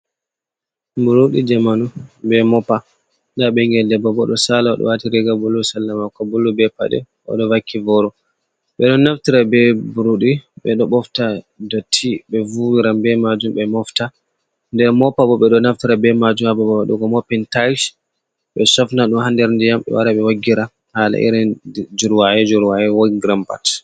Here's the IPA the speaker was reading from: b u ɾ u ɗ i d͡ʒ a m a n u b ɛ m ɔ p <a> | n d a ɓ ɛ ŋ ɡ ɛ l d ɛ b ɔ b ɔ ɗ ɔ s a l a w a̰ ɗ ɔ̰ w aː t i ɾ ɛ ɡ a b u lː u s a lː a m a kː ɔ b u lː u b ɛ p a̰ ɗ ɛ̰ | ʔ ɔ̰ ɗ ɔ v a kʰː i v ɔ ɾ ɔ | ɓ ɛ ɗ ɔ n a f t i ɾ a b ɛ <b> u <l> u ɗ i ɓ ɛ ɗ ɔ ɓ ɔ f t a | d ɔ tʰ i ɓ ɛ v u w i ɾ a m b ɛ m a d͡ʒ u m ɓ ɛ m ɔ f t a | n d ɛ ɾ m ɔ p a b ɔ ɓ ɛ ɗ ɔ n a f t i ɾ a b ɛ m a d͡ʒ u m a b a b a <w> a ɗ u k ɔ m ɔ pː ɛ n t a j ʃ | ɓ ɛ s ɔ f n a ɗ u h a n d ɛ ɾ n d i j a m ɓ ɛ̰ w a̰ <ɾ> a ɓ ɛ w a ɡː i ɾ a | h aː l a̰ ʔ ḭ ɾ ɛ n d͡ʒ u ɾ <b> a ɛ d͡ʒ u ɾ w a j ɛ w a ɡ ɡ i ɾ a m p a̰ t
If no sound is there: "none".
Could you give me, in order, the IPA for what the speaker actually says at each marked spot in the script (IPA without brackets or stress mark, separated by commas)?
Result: a, b, ɾ, w, ɾ, w